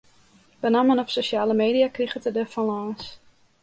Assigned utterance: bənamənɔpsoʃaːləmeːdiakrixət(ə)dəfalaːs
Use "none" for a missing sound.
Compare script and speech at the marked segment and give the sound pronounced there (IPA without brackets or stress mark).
ə